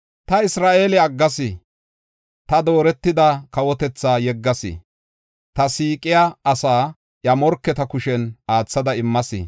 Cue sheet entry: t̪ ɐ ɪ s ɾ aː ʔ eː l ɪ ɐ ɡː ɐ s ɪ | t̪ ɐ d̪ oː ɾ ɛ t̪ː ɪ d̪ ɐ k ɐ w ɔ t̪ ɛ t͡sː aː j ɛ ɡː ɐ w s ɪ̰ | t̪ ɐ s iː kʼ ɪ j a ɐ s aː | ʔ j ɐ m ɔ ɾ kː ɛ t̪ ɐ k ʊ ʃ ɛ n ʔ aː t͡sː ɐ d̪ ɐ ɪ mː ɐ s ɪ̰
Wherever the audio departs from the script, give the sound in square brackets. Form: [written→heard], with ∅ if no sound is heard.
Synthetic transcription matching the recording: t̪ ɐ ɪ s ɾ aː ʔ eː l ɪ ɐ ɡː ɐ s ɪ | t̪ ɐ d̪ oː ɾ ɛ t̪ː ɪ d̪ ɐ k ɐ w ɔ t̪ ɛ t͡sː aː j ɛ ɡː ɐ [w→∅] s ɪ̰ | t̪ ɐ s iː kʼ ɪ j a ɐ s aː | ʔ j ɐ m ɔ ɾ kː ɛ t̪ ɐ k ʊ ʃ ɛ n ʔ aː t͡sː ɐ d̪ ɐ ɪ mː ɐ s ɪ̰